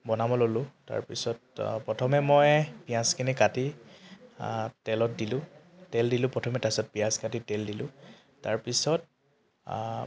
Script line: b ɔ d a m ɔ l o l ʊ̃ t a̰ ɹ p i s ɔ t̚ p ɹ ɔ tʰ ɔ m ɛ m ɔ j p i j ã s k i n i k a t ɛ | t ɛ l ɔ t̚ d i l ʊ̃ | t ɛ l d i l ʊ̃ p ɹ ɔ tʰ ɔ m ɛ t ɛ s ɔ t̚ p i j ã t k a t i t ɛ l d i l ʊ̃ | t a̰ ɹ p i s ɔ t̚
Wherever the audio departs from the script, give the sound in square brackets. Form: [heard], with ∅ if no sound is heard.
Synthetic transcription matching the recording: b ɔ [n] a m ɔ l o l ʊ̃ t a̰ ɹ p i s ɔ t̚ p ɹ ɔ tʰ ɔ m ɛ m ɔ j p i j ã s k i n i k a t [i] | t ɛ l ɔ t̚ d i l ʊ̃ | t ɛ l d i l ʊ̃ p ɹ ɔ tʰ ɔ m ɛ t [a] s ɔ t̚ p i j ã [s] k a t i t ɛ l d i l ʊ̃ | t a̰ ɹ p i s ɔ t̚